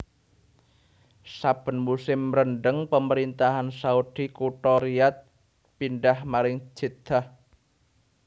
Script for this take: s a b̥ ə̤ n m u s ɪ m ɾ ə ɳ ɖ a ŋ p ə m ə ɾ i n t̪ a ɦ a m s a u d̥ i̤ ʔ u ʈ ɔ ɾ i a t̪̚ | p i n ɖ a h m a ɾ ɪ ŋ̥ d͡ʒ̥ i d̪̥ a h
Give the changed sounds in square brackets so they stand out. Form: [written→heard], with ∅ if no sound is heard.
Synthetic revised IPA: s a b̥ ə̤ n m u s ɪ m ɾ ə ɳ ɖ [a→ə] ŋ p ə m ə ɾ i n t̪ a ɦ a [m→n] s a u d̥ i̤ [ʔ→k] u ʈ ɔ ɾ i a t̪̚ | p i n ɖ a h m a ɾ ɪ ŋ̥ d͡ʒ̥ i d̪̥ a h